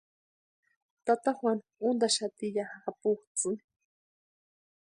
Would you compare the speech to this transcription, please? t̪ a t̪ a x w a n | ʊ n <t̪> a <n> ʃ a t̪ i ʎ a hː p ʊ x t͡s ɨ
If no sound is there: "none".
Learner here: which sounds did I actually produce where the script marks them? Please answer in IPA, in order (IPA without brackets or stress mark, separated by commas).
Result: d̪, none